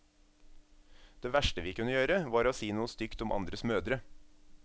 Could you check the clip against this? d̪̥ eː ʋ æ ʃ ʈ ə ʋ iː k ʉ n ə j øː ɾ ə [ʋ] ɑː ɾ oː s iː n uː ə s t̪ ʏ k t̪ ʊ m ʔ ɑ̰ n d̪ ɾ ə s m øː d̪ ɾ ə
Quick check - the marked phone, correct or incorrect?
correct